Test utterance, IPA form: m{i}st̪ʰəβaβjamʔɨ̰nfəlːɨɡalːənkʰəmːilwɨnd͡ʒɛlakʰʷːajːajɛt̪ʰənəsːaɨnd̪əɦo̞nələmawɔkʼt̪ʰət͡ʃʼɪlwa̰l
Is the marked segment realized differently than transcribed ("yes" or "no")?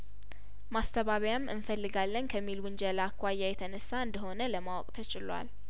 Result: yes